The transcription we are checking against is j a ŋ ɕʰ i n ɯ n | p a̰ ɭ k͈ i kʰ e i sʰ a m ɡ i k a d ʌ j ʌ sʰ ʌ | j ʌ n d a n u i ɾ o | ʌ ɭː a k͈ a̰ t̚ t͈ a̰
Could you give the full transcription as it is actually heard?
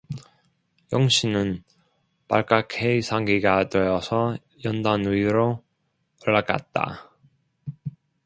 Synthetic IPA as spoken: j ʌ ŋ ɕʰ i n ɯ n | p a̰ ɭ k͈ a kʰ e i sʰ a ŋ ɡ i ɡ a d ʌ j ʌ sʰ ʌ | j ʌ n d a n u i ɾ o | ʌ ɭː a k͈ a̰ t̚ t͈ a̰